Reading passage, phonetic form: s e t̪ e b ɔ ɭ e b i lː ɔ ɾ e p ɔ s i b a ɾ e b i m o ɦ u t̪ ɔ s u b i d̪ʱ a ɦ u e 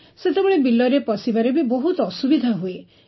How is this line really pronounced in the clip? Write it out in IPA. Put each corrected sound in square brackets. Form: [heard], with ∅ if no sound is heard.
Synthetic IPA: s e t̪ e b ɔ ɭ e b i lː ɔ ɾ e p ɔ s i b a ɾ e b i [b] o ɦ u t̪ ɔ s u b i d̪ʱ a ɦ u e

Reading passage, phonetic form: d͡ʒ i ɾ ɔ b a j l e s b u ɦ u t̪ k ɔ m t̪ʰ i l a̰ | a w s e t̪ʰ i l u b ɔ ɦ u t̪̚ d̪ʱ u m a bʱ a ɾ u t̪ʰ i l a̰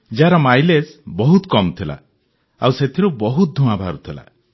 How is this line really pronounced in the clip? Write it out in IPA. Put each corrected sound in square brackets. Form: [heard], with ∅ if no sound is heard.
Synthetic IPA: d͡ʒ [a] ɾ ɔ [m] a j l e s b [ɔ] ɦ u t̪ k ɔ m t̪ʰ i l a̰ | a w s e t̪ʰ i [ɾ] u b ɔ ɦ u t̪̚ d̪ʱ u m a bʱ a ɾ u t̪ʰ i l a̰

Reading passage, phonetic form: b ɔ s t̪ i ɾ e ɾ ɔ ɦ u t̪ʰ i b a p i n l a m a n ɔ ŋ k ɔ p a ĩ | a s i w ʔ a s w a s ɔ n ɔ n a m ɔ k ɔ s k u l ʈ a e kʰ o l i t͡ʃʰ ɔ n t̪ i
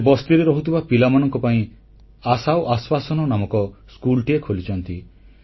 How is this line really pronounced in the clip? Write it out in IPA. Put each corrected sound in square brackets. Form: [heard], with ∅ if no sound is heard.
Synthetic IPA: b ɔ s t̪ i ɾ e ɾ ɔ ɦ u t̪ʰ i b a p i [∅] l a m a n ɔ ŋ k ɔ p a ĩ | a s [a] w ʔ a s w a s ɔ n ɔ n a m ɔ k ɔ s k u l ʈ [i] e kʰ o l i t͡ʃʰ ɔ n t̪ i

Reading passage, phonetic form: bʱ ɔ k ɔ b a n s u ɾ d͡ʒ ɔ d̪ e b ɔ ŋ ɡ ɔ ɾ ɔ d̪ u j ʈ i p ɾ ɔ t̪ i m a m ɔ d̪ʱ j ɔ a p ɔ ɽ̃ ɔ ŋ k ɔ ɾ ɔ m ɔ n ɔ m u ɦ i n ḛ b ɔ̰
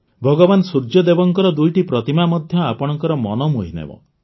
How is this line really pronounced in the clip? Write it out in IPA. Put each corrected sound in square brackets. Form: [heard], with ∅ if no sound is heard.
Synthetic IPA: bʱ ɔ [ɡ] ɔ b a n s u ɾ d͡ʒ ɔ d̪ e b ɔ ŋ [k] ɔ ɾ ɔ d̪ u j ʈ i p ɾ ɔ t̪ i m a m ɔ d̪ʱ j ɔ a p ɔ ɽ̃ ɔ ŋ k ɔ ɾ ɔ m ɔ n ɔ m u ɦ i n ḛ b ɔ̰

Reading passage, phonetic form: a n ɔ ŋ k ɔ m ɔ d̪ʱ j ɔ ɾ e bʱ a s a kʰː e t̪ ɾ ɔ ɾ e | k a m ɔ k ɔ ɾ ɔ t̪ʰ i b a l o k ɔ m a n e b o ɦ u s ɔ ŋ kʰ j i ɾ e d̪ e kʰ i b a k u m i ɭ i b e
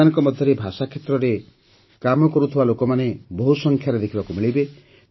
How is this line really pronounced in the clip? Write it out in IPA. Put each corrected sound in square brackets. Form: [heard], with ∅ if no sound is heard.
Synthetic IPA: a n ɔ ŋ k ɔ m ɔ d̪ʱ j ɔ ɾ e bʱ a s a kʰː e t̪ ɾ ɔ ɾ e | k a m ɔ k ɔ ɾ [u] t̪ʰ i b a l o k ɔ m a n e b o ɦ u s ɔ ŋ kʰ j [a] ɾ e d̪ e kʰ i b a k u m i ɭ i b e

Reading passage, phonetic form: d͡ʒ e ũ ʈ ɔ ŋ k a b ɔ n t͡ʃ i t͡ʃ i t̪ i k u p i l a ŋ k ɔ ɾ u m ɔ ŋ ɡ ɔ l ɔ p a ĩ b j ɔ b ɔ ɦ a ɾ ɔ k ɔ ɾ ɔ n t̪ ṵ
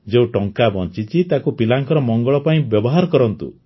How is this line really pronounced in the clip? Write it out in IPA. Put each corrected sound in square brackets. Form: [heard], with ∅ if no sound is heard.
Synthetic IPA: d͡ʒ e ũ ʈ ɔ ŋ k a b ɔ n t͡ʃ i t͡ʃ i t̪ [a] k u p i l a ŋ k ɔ ɾ [ɔ] m ɔ ŋ ɡ ɔ [ɭ] ɔ p a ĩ b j ɔ b ɔ ɦ a ɾ ɔ k ɔ ɾ ɔ n t̪ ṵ

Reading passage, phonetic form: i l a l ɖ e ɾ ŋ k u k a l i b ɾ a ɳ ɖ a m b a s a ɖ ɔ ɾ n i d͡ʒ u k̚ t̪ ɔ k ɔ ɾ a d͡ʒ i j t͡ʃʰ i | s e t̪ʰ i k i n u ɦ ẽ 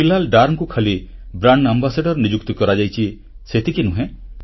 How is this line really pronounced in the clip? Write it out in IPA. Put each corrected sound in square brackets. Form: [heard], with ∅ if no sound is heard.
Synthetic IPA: i l a l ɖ [a] ɾ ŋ k u [kʰ] a l i b ɾ a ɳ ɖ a m b a s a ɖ ɔ ɾ n i d͡ʒ u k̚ t̪ ɔ k ɔ ɾ a d͡ʒ [a] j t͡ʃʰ i | s e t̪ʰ i k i n u ɦ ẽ

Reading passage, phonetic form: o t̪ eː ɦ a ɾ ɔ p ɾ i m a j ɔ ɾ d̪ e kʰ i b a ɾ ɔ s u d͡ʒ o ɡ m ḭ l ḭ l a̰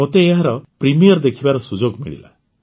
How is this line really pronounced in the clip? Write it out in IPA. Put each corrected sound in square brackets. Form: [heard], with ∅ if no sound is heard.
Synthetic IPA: o t̪ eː ɦ a ɾ ɔ p ɾ i m [i] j ɔ ɾ d̪ e kʰ i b a ɾ ɔ s u d͡ʒ o ɡ m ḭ [ɭ] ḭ l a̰

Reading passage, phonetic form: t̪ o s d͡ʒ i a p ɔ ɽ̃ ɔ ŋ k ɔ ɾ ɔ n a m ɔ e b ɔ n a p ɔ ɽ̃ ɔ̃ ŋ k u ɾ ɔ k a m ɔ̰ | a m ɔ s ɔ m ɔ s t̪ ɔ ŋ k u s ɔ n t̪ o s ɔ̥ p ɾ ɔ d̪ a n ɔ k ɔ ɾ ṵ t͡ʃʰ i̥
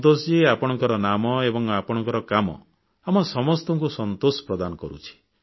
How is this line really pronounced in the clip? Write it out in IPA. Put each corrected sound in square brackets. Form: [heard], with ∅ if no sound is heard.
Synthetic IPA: t̪ o s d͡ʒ i a p ɔ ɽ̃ ɔ ŋ k ɔ ɾ ɔ n a m ɔ e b ɔ [ŋ] a p ɔ ɽ̃ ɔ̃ ŋ k [ɔ] ɾ ɔ k a m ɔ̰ | a m ɔ s ɔ m ɔ s t̪ ɔ ŋ k u s ɔ n t̪ o s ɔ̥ p ɾ ɔ d̪ a n ɔ k ɔ ɾ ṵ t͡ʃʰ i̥

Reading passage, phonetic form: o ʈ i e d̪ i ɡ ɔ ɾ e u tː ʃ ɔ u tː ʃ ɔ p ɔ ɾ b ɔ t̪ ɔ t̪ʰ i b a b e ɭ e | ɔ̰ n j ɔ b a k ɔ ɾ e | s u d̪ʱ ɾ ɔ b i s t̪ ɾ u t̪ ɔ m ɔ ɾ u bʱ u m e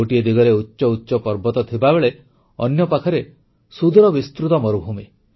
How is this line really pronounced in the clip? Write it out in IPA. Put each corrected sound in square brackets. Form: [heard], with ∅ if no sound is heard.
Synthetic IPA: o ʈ i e d̪ i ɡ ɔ ɾ e u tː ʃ ɔ u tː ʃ ɔ p ɔ ɾ b ɔ t̪ ɔ t̪ʰ i b a b e ɭ e | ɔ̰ n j ɔ [p] a [kʰ] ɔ ɾ e | s u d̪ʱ ɾ ɔ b i s t̪ ɾ u t̪ ɔ m ɔ ɾ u bʱ u m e

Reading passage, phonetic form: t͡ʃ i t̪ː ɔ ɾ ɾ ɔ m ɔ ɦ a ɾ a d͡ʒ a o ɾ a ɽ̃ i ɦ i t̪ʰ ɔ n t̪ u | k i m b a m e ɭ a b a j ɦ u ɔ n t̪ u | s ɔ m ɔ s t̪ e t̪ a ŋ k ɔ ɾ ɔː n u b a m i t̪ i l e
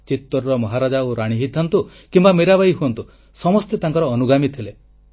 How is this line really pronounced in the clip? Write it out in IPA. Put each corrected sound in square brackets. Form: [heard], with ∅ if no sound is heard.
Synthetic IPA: t͡ʃ i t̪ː ɔ ɾ ɾ ɔ m ɔ ɦ a ɾ a d͡ʒ a o ɾ a ɽ̃ i ɦ i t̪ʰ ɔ n t̪ u | k i m b a m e [ɾ] a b a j ɦ u ɔ n t̪ u | s ɔ m ɔ s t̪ e t̪ a ŋ k ɔ ɾ ɔː n u [ɡ] a m i [t̪ʰ] i l e

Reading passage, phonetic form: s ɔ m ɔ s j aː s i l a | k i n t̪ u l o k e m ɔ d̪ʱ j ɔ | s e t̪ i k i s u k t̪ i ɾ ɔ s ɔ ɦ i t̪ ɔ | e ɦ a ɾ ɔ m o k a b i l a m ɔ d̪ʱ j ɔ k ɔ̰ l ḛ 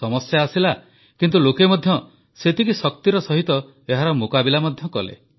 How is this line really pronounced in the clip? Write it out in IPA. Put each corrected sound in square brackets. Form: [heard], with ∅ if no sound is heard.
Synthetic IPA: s ɔ m ɔ s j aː s i l a | k i n t̪ u l o k e m ɔ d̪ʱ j ɔ | s e t̪ i k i s [ɔ] k t̪ i ɾ ɔ s ɔ ɦ i t̪ ɔ | e ɦ a ɾ ɔ m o k a b i l a m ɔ d̪ʱ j ɔ k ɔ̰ l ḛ

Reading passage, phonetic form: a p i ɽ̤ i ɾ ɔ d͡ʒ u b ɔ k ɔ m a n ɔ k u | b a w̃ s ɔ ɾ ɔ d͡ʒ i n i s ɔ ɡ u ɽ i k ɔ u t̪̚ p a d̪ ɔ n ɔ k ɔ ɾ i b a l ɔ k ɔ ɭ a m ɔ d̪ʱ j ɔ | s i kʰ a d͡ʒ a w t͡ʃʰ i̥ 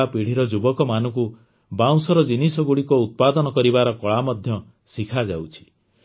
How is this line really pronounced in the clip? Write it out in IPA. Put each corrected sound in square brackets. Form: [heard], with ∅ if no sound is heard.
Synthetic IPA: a p i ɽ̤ i ɾ ɔ d͡ʒ u b ɔ k ɔ m a n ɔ k u | b a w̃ s ɔ ɾ ɔ d͡ʒ i n i s ɔ ɡ u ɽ i k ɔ u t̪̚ p a d̪ ɔ n ɔ k ɔ ɾ i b a [ɾ] ɔ k ɔ ɭ a m ɔ d̪ʱ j ɔ | s i kʰ a d͡ʒ a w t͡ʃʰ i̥

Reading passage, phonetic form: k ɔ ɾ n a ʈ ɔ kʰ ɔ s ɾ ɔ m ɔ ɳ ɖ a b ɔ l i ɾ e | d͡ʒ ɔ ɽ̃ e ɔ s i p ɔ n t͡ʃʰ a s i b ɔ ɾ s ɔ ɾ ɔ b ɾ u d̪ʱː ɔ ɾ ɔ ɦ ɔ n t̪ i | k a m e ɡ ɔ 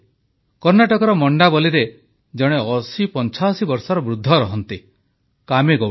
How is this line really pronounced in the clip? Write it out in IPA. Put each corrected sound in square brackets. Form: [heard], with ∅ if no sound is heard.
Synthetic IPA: k ɔ ɾ n a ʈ ɔ [k] ɔ [∅] ɾ ɔ m ɔ ɳ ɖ a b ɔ l i ɾ e | d͡ʒ ɔ ɽ̃ e ɔ s i p ɔ n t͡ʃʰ a s i b ɔ ɾ s ɔ ɾ ɔ b ɾ u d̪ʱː ɔ ɾ ɔ ɦ ɔ n t̪ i | k a m e ɡ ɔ

